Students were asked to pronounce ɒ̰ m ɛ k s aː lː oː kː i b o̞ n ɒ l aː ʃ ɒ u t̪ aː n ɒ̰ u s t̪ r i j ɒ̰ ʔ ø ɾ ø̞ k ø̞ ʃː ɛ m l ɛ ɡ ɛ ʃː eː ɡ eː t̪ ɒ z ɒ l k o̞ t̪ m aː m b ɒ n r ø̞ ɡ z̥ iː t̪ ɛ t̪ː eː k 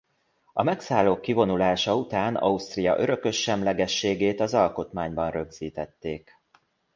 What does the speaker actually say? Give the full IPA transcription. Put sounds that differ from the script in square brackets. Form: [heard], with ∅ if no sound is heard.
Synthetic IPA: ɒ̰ m ɛ k s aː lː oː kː i [v] o̞ n [u] l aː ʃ ɒ u t̪ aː n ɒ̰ u s t̪ r i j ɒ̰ ʔ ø ɾ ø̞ k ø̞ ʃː ɛ m l ɛ ɡ ɛ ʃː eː ɡ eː t̪ ɒ z ɒ l k o̞ t̪ m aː [ɲ] b ɒ n r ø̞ ɡ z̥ iː t̪ ɛ t̪ː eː k

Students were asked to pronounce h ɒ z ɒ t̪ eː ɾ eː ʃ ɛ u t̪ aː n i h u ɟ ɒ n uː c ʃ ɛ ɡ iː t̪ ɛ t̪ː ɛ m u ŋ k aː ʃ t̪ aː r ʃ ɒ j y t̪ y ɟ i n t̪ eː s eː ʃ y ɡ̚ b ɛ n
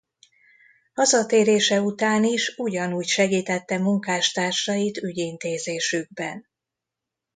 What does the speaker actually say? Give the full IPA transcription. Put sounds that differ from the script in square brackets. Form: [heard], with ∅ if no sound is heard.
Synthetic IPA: h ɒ z ɒ t̪ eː ɾ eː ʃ ɛ u t̪ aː n i [ʃ] u ɟ ɒ n uː c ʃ ɛ ɡ iː t̪ ɛ t̪ː ɛ m u ŋ k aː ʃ t̪ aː r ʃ ɒ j [i] t̪ y ɟ i n t̪ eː [z] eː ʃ y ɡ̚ b ɛ n

